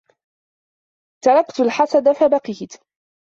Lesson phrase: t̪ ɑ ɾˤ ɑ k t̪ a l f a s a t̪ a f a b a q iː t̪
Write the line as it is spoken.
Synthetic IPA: t̪ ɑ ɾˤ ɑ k t̪ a l ħ a s a d̪ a f a b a q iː t̪